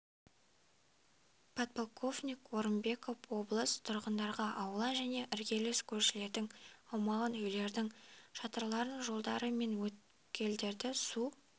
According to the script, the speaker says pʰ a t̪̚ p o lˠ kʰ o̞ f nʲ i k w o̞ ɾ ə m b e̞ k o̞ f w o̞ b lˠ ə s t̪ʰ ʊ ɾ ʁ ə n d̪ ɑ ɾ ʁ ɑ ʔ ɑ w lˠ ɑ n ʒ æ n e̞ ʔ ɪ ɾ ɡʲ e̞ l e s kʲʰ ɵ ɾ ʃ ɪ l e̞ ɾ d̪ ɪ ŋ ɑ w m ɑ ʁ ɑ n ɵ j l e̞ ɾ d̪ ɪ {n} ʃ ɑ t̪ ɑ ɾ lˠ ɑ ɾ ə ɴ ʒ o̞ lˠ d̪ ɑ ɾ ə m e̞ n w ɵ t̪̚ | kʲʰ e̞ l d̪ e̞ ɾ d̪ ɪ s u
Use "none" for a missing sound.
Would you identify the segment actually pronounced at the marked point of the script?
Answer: ŋ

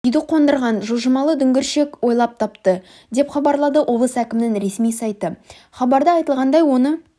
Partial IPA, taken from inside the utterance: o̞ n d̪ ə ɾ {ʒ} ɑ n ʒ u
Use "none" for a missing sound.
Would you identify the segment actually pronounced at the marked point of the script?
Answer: ʁ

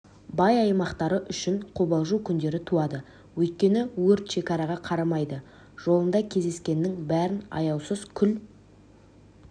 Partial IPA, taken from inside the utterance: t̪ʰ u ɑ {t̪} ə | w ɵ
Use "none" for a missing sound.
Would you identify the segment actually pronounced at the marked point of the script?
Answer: d̪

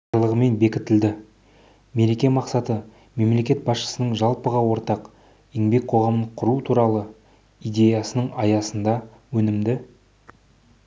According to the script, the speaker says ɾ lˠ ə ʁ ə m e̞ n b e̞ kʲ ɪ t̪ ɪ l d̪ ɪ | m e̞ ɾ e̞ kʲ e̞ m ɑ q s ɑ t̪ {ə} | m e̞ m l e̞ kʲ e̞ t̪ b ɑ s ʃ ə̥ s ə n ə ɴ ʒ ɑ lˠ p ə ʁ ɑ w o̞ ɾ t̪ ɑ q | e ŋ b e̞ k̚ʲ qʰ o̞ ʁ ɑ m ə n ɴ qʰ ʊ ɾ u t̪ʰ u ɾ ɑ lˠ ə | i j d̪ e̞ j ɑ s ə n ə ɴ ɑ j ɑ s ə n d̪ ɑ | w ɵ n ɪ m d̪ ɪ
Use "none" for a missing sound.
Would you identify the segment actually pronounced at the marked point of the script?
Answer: ə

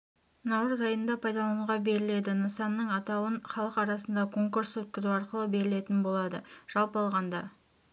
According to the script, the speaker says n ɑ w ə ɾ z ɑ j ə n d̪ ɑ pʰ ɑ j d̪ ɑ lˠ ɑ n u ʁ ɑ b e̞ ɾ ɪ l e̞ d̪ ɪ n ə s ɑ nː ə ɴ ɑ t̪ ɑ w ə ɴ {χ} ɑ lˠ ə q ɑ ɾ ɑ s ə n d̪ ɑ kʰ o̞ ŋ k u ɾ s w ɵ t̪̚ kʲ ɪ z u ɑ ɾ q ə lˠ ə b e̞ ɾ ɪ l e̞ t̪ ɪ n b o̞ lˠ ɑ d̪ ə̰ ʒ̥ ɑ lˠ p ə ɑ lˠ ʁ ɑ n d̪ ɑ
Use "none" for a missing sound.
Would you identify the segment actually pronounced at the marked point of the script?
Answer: χ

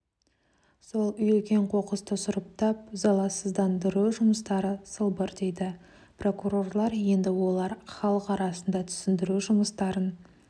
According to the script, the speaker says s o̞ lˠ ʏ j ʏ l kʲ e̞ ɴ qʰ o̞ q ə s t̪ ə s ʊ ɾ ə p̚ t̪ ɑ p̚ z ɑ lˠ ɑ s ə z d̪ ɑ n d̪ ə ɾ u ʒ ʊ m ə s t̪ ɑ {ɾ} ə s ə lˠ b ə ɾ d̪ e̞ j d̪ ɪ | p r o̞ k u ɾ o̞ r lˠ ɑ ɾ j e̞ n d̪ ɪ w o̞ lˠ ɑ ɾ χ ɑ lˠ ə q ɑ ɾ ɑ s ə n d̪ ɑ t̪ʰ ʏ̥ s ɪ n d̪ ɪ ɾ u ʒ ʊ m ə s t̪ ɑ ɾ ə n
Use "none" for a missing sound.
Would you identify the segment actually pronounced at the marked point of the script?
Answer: ɾ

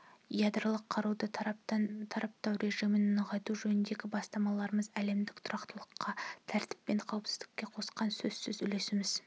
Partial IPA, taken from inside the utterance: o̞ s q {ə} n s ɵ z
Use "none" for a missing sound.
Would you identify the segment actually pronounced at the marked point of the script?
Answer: ɑ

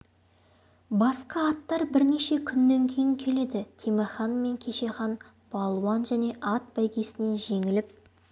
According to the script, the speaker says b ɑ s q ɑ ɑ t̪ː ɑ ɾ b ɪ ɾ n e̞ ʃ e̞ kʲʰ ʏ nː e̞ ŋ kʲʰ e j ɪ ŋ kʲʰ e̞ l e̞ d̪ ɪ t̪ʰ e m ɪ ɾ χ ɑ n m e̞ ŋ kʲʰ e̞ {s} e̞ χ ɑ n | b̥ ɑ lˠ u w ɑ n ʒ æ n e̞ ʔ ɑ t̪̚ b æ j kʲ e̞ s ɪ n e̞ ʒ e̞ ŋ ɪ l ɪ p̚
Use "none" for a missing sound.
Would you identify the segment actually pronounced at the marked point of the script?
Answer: ʃ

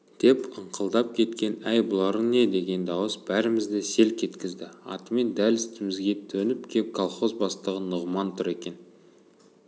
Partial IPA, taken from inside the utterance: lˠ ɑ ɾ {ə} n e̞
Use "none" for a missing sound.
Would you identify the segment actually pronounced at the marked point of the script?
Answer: ə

